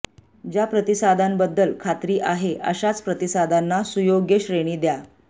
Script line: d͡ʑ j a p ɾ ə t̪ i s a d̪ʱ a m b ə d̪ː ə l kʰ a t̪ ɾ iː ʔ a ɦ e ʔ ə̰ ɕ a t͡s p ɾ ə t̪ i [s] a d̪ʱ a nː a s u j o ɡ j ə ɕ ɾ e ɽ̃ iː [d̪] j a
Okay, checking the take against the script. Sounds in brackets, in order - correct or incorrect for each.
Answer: correct, correct

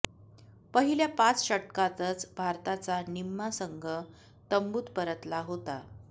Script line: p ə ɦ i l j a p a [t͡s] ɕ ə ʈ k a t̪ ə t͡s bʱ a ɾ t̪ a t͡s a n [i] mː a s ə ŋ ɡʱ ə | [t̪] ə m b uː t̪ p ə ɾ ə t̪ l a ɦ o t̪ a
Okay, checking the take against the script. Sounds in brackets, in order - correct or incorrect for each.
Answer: correct, correct, correct

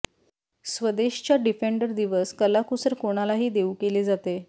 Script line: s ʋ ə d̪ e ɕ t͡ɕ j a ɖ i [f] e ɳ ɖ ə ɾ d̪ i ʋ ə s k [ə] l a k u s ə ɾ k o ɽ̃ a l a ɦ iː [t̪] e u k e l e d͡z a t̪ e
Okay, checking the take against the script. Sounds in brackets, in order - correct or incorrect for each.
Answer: correct, correct, incorrect: d̪

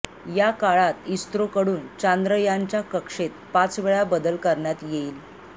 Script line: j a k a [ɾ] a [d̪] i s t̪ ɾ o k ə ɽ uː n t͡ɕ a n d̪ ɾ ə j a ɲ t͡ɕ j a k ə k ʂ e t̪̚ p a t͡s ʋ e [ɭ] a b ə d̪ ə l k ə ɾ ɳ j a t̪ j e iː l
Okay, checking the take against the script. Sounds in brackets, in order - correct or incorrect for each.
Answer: incorrect: ɭ, incorrect: t̪, correct

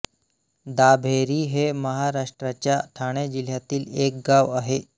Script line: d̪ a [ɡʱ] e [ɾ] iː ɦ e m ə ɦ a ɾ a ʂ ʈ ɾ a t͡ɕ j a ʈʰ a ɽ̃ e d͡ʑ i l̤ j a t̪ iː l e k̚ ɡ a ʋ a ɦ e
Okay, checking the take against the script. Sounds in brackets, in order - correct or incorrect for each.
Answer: incorrect: bʱ, correct

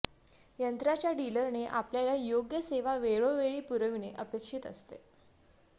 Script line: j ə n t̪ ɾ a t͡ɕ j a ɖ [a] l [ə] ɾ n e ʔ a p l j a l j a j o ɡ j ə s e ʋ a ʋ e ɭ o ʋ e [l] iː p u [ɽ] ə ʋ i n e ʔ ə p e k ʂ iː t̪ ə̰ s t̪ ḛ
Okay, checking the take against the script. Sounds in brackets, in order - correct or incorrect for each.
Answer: incorrect: i, correct, incorrect: ɭ, incorrect: ɾ

